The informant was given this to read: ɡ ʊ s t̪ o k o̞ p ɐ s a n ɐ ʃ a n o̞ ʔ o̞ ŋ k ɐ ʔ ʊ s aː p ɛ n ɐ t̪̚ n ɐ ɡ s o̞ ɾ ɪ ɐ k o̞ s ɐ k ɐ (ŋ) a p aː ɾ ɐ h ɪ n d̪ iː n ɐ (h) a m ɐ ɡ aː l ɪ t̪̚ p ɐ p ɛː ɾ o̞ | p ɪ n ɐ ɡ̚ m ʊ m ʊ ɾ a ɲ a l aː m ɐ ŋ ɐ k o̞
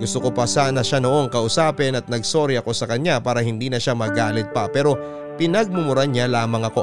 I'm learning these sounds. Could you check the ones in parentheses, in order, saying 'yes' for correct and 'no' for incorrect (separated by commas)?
no, no